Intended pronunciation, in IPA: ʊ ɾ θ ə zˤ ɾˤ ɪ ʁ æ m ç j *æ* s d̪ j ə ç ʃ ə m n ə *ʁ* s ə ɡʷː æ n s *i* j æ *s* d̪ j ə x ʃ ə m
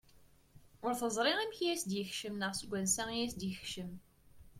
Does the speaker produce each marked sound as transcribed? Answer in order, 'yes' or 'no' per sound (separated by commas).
yes, yes, no, yes